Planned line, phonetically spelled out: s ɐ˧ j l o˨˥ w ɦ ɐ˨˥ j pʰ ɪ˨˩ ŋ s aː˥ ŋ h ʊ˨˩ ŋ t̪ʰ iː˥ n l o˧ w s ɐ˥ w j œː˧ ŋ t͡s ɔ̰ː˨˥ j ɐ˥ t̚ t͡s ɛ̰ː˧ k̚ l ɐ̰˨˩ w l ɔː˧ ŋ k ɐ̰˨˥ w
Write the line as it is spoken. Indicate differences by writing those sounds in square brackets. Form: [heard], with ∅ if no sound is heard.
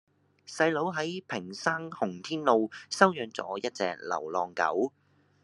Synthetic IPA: s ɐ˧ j l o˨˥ w ɦ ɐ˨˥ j pʰ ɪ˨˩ ŋ s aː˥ ŋ h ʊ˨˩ ŋ t̪ʰ iː˥ n l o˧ w s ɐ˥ w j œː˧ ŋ t͡s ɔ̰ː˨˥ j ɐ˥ t̚ t͡s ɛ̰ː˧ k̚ l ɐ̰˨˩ w l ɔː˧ ŋ k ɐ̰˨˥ w

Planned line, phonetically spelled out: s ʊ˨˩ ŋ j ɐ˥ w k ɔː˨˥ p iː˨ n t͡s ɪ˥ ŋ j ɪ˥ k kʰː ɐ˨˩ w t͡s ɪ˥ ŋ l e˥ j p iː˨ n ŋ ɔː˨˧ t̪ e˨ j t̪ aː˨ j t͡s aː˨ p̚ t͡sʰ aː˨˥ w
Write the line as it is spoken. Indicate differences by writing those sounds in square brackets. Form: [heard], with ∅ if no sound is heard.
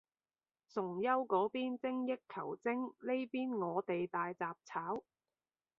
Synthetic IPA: s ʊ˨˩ ŋ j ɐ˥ w k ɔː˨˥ p [iː˥] n t͡s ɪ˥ ŋ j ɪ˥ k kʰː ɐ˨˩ w t͡s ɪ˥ ŋ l e˥ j p [iː˥] n ŋ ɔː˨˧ t̪ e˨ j t̪ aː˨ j t͡s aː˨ p̚ t͡sʰ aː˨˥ w

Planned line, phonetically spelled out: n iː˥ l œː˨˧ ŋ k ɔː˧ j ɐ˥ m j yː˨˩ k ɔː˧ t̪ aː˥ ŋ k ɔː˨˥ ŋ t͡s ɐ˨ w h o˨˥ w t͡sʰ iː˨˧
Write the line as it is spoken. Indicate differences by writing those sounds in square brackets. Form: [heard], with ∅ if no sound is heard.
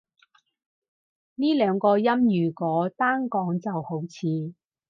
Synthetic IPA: n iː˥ l œː˨˧ ŋ k ɔː˧ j ɐ˥ m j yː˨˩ k [ɔː˨˥] t̪ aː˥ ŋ k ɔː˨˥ ŋ t͡s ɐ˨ w h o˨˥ w t͡sʰ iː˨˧

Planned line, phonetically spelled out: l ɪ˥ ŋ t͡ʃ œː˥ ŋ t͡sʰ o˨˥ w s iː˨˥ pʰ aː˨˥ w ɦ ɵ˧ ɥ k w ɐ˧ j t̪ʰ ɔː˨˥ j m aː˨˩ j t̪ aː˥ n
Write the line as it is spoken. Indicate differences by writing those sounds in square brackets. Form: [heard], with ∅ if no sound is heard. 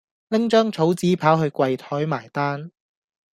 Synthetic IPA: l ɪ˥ ŋ t͡ʃ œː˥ ŋ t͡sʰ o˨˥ w [t͡s] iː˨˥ pʰ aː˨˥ w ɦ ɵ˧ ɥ k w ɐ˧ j t̪ʰ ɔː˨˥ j m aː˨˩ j t̪ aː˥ n

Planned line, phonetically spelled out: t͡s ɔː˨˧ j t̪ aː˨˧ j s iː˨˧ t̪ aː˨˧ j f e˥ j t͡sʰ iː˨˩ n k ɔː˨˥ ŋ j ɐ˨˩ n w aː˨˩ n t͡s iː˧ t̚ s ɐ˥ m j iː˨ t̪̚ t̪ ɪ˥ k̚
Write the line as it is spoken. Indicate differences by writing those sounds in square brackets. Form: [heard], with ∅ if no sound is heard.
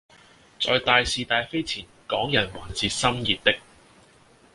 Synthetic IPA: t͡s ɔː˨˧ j t̪ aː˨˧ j s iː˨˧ t̪ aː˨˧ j f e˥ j t͡sʰ iː˨˩ n k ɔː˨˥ ŋ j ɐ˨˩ n w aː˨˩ n t͡s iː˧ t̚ s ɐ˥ m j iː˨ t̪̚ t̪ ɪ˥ k̚

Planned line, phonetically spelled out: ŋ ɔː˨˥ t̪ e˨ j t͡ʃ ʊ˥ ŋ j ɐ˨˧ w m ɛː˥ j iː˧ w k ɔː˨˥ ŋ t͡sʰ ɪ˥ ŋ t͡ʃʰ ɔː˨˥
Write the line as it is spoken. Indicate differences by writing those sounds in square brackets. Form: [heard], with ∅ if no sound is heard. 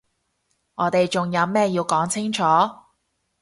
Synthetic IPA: ŋ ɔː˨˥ t̪ e˨ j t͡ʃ [ʊ˨] ŋ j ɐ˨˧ w m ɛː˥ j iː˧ w k ɔː˨˥ ŋ t͡sʰ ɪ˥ ŋ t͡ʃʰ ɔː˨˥

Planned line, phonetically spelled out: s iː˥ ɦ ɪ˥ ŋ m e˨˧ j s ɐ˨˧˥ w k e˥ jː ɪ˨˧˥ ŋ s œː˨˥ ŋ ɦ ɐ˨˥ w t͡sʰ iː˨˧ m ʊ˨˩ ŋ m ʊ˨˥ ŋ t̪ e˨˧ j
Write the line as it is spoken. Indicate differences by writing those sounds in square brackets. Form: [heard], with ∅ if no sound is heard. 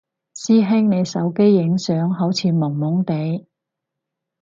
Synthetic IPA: s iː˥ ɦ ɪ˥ ŋ [n] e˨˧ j s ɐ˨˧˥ w k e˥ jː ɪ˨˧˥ ŋ s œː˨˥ ŋ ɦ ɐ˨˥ w t͡sʰ iː˨˧ m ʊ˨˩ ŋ m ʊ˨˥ ŋ t̪ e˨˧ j

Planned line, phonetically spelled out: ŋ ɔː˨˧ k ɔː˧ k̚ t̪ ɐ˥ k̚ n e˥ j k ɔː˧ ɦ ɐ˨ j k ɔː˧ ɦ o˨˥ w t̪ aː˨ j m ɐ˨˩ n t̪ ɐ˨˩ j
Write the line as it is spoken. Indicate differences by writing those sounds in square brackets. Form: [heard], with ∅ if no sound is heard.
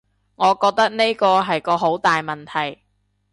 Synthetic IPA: ŋ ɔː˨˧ k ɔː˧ k̚ t̪ ɐ˥ k̚ n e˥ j k ɔː˧ ɦ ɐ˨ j k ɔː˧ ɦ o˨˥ w t̪ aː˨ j m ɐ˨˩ n [t̪ʰ] ɐ˨˩ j

